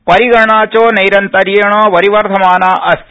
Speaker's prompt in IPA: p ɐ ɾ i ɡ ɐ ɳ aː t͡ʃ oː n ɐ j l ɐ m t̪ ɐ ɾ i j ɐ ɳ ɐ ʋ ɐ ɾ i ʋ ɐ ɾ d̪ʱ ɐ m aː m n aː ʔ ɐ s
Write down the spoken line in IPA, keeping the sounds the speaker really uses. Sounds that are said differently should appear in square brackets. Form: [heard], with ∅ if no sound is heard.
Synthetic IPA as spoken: p ɐ ɾ i ɡ ɐ ɳ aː t͡ʃ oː n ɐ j [ɾ] ɐ [n] t̪ ɐ ɾ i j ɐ ɳ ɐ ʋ ɐ ɾ i ʋ ɐ ɾ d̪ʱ ɐ m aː [∅] n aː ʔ ɐ s

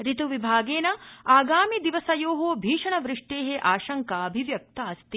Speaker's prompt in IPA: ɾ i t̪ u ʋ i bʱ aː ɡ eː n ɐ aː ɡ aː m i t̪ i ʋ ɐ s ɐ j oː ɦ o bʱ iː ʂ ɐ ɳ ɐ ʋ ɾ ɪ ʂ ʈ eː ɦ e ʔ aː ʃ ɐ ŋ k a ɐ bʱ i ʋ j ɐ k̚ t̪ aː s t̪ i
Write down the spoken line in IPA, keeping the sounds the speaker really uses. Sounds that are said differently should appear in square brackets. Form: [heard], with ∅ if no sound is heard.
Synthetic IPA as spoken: ɾ i t̪ u ʋ i bʱ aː ɡ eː n ɐ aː ɡ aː m i [d̪] i ʋ ɐ s ɐ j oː ɦ o bʱ iː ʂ ɐ ɳ ɐ ʋ ɾ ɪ ʂ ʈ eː ɦ e ʔ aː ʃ ɐ ŋ k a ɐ bʱ i ʋ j ɐ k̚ t̪ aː s t̪ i

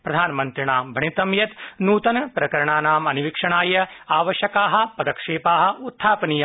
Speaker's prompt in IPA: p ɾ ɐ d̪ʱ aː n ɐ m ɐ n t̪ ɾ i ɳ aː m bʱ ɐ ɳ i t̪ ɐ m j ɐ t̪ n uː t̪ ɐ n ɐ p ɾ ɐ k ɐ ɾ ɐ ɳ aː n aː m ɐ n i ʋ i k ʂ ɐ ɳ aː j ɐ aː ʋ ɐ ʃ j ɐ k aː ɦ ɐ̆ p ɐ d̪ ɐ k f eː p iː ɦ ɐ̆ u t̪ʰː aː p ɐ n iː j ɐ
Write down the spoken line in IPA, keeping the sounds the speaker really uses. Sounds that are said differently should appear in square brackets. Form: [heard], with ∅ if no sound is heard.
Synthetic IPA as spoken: p ɾ ɐ d̪ʱ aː n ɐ m ɐ n t̪ ɾ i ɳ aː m bʱ ɐ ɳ i t̪ ɐ m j ɐ t̪ n uː t̪ ɐ n ɐ p ɾ ɐ k ɐ ɾ ɐ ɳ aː n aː m ɐ n i ʋ i k ʂ ɐ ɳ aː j ɐ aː ʋ ɐ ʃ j ɐ k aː ɦ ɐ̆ p ɐ d̪ ɐ k [ʂ] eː p [aː] ɦ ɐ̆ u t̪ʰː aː p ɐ n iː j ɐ

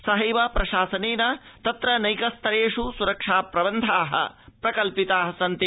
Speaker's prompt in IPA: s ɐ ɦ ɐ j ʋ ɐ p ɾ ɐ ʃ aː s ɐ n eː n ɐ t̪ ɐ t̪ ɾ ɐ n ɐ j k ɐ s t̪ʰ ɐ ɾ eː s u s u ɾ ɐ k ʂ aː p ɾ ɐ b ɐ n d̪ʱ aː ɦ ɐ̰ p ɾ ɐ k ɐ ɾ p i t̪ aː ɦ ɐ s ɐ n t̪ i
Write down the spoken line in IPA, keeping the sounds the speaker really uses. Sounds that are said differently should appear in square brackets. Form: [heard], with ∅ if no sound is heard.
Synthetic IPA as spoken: s ɐ ɦ ɐ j ʋ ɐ p ɾ ɐ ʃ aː s ɐ n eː n ɐ t̪ ɐ t̪ ɾ ɐ n ɐ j k ɐ s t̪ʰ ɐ ɾ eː [ʂ] u s u ɾ ɐ k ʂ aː p ɾ ɐ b ɐ n d̪ʱ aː ɦ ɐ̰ p ɾ ɐ k ɐ [l] p i t̪ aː ɦ ɐ s ɐ n t̪ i

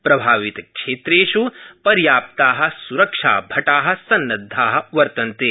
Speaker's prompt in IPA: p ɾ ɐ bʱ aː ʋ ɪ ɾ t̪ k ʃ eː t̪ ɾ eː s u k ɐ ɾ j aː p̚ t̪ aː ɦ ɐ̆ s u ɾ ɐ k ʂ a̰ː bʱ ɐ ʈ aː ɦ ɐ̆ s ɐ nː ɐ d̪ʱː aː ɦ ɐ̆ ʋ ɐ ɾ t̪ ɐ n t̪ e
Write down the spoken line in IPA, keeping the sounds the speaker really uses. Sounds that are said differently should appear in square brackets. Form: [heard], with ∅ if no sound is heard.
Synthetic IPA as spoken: p ɾ ɐ bʱ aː ʋ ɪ [∅] t̪ k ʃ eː t̪ ɾ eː [ʃ] u [p] ɐ ɾ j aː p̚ t̪ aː ɦ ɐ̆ s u ɾ ɐ k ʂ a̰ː bʱ ɐ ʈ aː ɦ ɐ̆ s ɐ nː ɐ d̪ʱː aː ɦ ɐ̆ ʋ ɐ ɾ t̪ ɐ n t̪ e

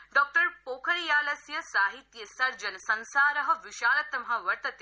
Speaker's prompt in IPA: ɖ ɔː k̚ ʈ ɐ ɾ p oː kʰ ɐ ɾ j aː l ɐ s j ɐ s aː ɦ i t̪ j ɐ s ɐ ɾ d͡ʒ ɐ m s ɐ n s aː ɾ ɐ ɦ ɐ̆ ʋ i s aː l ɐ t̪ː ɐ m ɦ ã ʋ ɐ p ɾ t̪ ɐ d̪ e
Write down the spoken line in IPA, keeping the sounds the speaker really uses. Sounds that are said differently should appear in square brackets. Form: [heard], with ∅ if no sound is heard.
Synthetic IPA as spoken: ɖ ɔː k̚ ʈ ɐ ɾ p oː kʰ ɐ ɾ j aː l ɐ s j ɐ s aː ɦ i t̪ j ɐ s ɐ ɾ d͡ʒ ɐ [n] s ɐ n s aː ɾ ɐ ɦ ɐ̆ ʋ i [ʃ] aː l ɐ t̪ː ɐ m ɦ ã ʋ ɐ [∅] ɾ t̪ ɐ [t̪] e

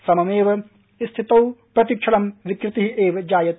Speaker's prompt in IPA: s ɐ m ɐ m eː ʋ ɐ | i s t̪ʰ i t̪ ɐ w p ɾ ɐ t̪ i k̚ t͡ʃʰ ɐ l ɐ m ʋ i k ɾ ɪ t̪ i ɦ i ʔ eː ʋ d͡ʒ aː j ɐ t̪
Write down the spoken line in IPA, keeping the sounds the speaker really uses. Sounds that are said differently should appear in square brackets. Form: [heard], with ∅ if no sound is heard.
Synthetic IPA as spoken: s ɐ m ɐ m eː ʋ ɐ | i s t̪ʰ i t̪ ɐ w p ɾ ɐ t̪ i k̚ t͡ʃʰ ɐ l ɐ m ʋ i k ɾ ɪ t̪ i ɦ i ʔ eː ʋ d͡ʒ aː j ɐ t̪

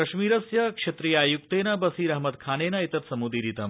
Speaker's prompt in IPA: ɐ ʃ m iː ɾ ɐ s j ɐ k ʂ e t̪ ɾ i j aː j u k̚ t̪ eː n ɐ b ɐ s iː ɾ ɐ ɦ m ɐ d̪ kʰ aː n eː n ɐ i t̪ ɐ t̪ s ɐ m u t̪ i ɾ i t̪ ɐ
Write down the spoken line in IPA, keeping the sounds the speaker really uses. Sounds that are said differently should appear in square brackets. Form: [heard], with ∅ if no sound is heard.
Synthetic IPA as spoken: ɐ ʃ m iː ɾ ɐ s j ɐ k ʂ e t̪ ɾ i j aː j u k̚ t̪ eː n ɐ b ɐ s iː ɾ ɐ ɦ m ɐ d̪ kʰ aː n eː n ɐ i t̪ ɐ t̪ s ɐ m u [d̪] i ɾ i t̪ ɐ

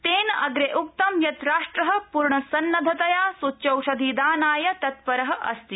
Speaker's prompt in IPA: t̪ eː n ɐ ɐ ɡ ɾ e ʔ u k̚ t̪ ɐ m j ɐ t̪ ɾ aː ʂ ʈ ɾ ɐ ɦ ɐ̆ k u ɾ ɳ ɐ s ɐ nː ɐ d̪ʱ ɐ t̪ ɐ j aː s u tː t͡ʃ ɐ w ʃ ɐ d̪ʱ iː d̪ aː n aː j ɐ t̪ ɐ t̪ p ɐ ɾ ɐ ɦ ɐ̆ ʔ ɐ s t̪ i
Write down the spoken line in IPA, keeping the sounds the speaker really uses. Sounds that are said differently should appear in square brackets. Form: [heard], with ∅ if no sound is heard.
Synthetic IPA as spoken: t̪ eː n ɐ ɐ ɡ ɾ e ʔ u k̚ t̪ ɐ m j ɐ t̪ ɾ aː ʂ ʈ ɾ ɐ ɦ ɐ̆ [p] u ɾ ɳ ɐ s ɐ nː ɐ d̪ʱ ɐ t̪ ɐ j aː s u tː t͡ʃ ɐ w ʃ ɐ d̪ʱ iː d̪ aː n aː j ɐ t̪ ɐ t̪ p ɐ ɾ ɐ ɦ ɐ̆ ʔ ɐ s t̪ i

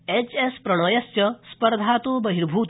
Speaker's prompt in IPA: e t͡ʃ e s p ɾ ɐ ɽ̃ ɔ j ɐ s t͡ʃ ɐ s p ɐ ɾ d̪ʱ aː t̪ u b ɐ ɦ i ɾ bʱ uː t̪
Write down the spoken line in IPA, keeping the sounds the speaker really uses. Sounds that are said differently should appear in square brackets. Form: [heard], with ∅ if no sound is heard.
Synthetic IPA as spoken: e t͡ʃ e s p ɾ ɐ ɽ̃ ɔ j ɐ s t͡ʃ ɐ s p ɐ ɾ d̪ʱ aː t̪ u b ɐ ɦ i ɾ bʱ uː t̪

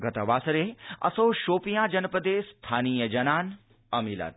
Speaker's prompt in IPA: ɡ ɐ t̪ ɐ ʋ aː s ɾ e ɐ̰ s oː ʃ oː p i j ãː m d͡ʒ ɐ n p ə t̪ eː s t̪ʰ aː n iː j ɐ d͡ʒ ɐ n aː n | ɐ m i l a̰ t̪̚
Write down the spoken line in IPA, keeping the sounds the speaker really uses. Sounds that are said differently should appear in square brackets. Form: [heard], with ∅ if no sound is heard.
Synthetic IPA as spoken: ɡ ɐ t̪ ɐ ʋ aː s ɾ e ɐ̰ s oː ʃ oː p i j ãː [∅] d͡ʒ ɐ n p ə [d̪] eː s t̪ʰ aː n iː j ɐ d͡ʒ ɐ n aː n | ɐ m i l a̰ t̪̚

